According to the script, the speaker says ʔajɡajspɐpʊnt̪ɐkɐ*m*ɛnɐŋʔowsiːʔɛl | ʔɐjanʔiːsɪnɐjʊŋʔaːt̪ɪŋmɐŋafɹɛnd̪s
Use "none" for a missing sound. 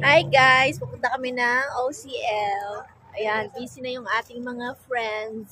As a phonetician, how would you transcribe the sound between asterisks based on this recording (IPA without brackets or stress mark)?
m